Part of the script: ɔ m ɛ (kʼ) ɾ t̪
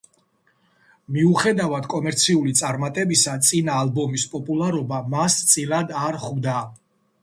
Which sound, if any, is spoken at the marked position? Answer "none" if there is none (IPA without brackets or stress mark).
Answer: none